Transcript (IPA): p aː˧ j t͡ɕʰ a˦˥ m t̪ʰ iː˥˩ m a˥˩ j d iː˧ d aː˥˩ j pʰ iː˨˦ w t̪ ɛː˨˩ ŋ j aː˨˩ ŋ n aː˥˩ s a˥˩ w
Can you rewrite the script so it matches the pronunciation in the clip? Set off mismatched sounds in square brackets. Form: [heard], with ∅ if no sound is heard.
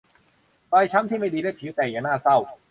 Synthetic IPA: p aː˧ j t͡ɕʰ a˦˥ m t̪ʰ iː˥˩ m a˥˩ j d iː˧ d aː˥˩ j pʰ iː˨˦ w t̪ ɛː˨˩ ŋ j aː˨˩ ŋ n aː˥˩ s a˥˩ w